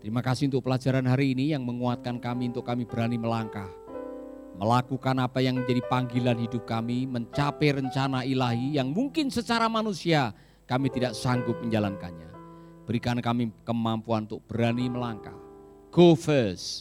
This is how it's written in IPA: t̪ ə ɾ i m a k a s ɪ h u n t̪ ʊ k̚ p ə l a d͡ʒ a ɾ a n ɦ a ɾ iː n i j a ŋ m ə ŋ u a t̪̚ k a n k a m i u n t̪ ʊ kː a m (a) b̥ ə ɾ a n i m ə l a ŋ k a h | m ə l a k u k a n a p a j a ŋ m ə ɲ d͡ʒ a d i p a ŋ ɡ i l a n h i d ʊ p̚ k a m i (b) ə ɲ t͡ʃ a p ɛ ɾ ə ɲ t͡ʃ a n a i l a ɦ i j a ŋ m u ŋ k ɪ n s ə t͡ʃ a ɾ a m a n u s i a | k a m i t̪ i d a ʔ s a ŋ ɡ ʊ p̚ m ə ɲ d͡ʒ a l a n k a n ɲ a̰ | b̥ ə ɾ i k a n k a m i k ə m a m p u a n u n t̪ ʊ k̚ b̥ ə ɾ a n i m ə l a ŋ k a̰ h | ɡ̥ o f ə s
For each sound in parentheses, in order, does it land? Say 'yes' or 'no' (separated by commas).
no, no